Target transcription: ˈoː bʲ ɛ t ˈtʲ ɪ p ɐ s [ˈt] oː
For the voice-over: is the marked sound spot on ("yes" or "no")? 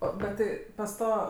yes